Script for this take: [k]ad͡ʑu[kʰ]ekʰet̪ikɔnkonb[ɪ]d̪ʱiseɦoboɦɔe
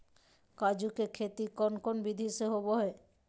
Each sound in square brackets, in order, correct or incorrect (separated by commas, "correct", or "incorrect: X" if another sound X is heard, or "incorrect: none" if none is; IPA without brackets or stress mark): correct, incorrect: k, incorrect: i